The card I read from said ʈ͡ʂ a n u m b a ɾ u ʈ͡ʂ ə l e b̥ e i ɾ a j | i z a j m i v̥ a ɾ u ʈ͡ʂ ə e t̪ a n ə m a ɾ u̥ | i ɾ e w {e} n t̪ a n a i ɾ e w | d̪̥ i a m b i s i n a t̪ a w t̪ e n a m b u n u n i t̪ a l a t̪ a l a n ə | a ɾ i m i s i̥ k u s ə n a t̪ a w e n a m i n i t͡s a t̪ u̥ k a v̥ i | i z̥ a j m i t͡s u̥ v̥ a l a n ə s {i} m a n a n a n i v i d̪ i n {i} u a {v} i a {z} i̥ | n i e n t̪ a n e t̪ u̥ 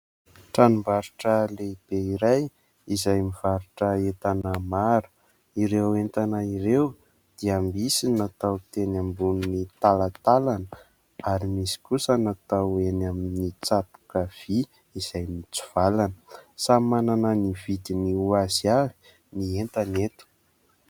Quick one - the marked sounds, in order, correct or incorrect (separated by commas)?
correct, incorrect, correct, incorrect, incorrect